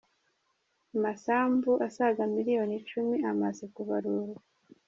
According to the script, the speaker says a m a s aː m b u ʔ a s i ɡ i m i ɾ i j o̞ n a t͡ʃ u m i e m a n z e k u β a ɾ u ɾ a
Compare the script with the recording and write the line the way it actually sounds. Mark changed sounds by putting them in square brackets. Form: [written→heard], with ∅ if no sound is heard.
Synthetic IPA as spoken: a m a s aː m b u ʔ a s [i→a] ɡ [i→a] m i ɾ i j o̞ n [a→i] t͡ʃ u m i [e→a] m a [n→∅] z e k u β a ɾ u ɾ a